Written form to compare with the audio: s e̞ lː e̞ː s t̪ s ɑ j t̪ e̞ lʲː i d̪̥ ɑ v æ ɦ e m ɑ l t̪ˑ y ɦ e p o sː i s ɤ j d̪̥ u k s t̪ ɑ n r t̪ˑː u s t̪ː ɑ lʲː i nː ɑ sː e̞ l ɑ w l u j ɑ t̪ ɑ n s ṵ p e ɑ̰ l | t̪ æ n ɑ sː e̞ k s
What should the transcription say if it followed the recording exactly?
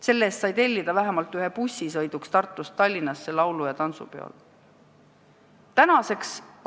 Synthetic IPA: s e̞ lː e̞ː s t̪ s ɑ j t̪ e̞ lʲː i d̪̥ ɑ v æ ɦ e m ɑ l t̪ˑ y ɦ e p u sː i s ɤ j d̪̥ u k s t̪ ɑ r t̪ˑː u s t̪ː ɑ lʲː i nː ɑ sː e̞ l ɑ w l u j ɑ t̪ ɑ n s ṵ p e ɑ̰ l | t̪ æ n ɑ s e̞ k s